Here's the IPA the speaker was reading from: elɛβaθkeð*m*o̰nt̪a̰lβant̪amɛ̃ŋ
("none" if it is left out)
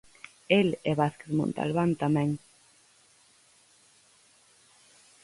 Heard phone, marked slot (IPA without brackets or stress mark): m